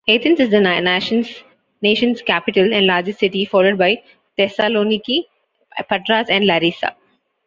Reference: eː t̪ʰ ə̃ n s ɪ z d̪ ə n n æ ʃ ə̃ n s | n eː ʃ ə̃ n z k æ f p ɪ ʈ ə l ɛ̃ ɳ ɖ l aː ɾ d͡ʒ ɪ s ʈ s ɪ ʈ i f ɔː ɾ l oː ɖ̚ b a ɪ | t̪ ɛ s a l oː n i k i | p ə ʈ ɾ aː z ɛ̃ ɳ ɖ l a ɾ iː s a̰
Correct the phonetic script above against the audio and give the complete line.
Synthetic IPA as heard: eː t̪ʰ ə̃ n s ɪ z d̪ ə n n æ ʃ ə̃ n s | n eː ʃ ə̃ n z k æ p ɪ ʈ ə l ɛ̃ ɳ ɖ l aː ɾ d͡ʒ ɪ s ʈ s ɪ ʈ i f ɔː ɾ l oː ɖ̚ b a ɪ | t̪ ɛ s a l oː n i k i | p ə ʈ ɾ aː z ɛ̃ ɳ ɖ l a ɾ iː s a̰